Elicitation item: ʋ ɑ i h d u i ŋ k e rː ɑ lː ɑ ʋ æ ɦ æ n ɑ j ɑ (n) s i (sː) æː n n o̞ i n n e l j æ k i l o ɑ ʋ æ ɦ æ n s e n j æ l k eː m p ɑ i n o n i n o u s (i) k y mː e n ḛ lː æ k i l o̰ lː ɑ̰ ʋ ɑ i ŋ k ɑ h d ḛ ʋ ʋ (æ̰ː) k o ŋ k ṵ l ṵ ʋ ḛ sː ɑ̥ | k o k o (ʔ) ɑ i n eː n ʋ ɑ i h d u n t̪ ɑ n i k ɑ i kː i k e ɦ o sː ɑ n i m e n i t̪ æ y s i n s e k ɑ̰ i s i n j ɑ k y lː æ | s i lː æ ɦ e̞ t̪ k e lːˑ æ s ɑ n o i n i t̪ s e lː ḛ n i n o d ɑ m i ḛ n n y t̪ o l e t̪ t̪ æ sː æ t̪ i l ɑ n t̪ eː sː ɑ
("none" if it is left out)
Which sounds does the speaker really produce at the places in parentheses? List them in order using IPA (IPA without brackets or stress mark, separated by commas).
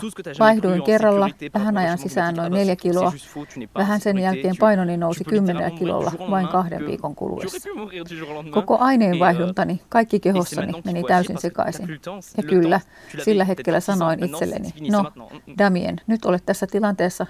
n, s, i, ḭː, ʔ